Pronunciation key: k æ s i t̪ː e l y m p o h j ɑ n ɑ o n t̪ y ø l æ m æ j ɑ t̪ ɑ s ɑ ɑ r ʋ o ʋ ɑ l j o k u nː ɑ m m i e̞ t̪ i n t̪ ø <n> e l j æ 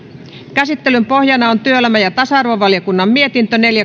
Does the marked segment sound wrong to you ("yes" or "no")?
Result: no